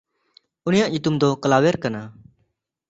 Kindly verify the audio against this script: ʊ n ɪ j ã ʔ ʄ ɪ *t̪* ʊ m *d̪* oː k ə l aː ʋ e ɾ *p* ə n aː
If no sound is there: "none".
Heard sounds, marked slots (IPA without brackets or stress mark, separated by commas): t̪, d̪, k